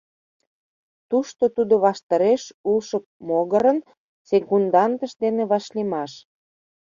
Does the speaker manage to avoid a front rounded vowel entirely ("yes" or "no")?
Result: yes